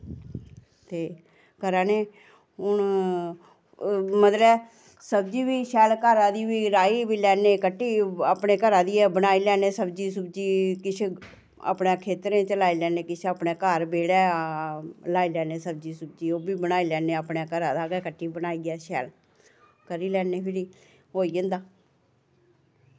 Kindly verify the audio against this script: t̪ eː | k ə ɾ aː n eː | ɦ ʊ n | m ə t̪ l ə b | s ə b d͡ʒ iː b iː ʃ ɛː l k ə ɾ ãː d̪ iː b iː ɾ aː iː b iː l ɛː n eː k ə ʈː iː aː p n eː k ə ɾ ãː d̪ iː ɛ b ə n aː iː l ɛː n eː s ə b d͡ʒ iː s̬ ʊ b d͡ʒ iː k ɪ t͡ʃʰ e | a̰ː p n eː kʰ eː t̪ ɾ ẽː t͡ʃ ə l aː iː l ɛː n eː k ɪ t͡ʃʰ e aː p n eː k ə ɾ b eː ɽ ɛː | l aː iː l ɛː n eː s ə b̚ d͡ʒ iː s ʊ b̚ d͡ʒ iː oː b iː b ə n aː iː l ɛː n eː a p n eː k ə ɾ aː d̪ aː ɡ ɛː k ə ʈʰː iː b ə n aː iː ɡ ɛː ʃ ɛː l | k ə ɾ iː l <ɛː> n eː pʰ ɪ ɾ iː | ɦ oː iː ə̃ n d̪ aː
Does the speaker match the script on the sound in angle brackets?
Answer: yes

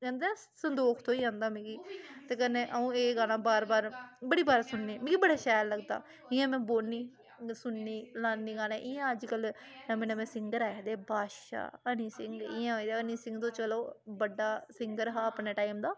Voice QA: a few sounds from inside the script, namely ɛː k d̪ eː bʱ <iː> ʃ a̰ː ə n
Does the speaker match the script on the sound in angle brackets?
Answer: no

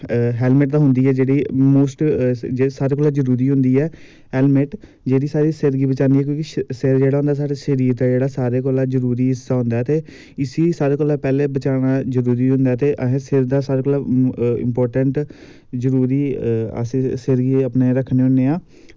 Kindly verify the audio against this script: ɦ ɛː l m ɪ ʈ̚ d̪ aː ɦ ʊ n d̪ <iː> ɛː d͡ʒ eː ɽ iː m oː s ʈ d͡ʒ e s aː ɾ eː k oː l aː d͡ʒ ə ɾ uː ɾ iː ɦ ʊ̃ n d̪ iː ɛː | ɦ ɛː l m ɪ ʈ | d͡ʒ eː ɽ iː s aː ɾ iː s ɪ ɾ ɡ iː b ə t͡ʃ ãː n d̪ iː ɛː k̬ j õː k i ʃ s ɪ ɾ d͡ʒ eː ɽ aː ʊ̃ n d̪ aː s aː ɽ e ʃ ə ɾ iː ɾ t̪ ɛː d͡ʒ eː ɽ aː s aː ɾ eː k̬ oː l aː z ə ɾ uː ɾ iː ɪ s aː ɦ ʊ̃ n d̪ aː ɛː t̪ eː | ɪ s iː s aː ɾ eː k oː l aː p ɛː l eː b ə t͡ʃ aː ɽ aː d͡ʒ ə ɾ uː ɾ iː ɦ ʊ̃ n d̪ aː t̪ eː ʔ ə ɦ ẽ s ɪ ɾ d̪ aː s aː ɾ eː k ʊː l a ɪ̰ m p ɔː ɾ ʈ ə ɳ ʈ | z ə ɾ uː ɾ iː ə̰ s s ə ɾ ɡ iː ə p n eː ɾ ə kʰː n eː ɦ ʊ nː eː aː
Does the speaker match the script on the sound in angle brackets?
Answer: yes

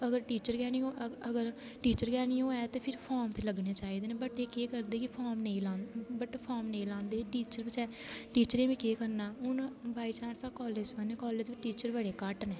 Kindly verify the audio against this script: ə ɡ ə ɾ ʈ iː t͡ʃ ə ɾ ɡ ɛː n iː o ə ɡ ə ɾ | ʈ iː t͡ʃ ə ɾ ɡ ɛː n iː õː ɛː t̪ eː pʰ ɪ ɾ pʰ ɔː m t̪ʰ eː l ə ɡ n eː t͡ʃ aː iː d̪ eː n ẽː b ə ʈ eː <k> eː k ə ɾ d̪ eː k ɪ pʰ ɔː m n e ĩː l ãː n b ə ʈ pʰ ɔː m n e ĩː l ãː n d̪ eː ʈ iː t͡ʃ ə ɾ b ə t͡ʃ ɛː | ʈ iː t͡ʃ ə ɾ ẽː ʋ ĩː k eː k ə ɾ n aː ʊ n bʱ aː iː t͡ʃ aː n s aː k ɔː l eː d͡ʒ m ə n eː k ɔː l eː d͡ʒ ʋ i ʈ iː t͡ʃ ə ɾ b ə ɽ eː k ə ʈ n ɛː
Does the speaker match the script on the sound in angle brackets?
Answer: yes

